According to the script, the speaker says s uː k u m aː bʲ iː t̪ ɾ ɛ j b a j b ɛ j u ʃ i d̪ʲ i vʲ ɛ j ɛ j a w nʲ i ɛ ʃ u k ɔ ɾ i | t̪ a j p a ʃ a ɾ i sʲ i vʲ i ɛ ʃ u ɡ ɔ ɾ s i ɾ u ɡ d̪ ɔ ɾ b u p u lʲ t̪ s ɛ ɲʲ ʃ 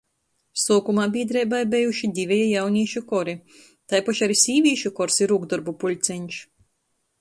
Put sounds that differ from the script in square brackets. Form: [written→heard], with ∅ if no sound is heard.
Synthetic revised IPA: s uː k u m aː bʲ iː [t̪→d̪] ɾ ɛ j b a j b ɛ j u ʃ i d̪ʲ i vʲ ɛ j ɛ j a w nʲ i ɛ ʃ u k ɔ ɾ i | t̪ a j p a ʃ a ɾ i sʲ [i→iː] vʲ i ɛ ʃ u [ɡ→k] ɔ ɾ s i ɾ u ɡ d̪ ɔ ɾ b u p u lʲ t̪ s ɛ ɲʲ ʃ